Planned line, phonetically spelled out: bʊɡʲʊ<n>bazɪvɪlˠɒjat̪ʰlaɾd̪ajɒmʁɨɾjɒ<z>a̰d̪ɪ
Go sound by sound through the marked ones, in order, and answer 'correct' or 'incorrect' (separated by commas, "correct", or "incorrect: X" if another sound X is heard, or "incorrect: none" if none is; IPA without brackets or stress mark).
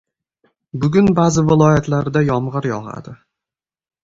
correct, incorrect: ʁ